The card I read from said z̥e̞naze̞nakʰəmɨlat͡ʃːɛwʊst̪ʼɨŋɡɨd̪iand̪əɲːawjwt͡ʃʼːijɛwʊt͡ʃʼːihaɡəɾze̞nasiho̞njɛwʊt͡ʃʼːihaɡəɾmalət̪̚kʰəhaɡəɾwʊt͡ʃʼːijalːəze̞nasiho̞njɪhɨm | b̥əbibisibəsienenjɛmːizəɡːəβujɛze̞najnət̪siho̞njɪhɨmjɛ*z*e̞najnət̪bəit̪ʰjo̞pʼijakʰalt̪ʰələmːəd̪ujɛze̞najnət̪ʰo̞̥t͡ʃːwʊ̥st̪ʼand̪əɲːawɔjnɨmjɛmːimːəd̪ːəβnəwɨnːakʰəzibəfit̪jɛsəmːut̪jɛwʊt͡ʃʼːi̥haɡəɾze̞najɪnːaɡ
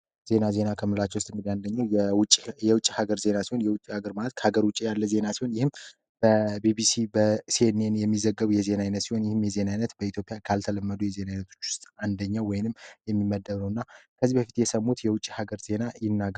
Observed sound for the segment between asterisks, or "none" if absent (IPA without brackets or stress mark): z